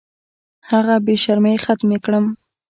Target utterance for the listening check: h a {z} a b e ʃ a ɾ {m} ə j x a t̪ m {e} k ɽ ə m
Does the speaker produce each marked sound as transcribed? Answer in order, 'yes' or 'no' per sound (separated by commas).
no, yes, yes